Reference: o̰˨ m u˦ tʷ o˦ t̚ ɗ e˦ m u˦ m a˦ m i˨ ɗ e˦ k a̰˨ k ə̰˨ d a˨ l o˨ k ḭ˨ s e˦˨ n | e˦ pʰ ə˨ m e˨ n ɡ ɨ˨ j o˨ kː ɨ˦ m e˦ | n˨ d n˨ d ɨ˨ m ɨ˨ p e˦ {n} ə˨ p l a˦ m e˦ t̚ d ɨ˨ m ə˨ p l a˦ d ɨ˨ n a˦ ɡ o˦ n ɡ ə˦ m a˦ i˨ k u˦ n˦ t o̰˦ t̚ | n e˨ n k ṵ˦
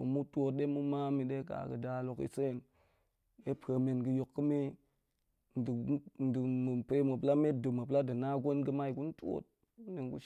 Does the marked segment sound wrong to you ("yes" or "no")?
yes